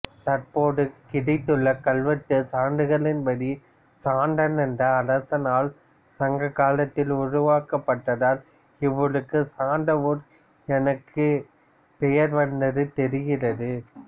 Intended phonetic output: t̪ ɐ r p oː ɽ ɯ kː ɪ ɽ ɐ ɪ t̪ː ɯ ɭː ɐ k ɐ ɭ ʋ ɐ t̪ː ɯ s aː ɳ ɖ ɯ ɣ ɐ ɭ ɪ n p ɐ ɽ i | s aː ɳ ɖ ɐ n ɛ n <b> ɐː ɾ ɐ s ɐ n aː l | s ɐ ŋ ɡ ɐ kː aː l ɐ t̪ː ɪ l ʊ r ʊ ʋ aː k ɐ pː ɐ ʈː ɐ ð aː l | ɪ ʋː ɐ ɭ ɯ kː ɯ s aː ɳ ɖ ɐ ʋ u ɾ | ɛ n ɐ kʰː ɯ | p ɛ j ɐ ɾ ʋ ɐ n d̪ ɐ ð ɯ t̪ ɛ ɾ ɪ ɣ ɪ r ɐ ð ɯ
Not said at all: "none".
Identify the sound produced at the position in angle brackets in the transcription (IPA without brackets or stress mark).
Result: d